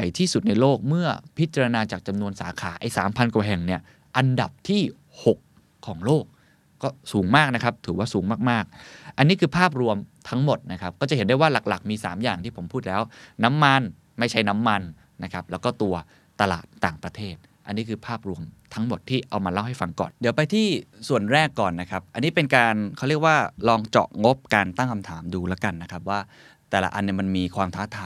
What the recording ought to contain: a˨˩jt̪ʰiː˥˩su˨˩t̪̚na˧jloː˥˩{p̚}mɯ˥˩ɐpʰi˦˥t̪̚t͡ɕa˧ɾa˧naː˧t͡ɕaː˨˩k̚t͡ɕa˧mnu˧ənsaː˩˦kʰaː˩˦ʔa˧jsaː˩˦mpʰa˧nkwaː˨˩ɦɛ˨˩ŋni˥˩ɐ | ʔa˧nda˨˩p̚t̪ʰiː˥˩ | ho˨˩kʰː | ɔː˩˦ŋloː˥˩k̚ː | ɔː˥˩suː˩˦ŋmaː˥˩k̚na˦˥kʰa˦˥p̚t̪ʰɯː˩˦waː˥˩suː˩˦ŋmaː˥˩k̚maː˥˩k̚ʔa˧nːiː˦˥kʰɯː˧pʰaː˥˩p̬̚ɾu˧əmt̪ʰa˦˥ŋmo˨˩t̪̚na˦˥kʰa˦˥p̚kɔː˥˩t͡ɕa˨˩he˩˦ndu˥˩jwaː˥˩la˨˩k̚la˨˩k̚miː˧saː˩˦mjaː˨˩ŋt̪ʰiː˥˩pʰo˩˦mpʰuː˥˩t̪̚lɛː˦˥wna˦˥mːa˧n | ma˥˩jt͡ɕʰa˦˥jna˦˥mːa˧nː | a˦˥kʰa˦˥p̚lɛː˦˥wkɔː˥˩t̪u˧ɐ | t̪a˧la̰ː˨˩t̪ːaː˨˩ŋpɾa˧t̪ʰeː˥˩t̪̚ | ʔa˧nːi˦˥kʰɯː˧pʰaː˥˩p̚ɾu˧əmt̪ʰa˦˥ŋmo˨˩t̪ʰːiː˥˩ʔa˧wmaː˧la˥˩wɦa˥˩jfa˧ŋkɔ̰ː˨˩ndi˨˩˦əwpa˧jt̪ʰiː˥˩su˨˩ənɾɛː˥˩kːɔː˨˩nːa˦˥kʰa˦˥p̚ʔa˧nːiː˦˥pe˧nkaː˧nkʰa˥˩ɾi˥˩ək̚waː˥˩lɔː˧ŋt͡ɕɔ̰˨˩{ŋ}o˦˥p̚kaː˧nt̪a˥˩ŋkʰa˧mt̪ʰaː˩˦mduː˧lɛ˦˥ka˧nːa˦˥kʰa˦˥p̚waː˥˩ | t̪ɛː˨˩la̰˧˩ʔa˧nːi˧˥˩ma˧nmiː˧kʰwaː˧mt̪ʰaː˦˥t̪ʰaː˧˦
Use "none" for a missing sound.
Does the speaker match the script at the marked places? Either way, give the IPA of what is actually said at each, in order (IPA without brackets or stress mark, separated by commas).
k̚, ŋ